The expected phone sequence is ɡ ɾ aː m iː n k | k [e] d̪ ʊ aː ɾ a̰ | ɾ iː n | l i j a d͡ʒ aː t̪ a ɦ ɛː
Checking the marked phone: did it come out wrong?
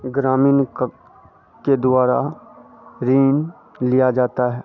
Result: no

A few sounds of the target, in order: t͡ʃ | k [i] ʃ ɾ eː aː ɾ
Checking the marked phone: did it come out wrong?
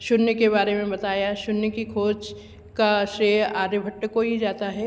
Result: yes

